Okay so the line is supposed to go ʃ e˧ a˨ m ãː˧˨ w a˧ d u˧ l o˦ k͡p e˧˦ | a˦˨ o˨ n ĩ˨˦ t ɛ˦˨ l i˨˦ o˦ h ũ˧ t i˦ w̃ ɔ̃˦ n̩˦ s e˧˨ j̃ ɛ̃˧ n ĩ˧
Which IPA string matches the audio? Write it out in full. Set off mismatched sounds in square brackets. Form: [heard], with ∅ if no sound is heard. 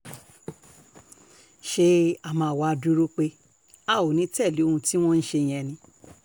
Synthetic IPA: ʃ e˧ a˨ m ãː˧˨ w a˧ d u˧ [ɾ] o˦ k͡p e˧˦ | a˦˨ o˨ n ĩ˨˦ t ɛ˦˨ l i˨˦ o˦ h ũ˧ t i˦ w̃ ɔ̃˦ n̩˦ [ʃ] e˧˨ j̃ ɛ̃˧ n ĩ˧